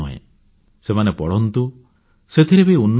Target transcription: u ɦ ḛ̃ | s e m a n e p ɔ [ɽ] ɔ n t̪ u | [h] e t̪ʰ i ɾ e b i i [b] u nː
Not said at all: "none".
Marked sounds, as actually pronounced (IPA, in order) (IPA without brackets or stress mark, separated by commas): ɽ, s, none